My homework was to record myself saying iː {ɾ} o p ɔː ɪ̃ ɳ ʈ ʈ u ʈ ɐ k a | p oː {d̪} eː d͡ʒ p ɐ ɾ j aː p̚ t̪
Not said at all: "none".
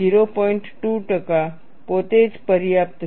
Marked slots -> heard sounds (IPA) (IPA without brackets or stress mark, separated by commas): ɾ, t̪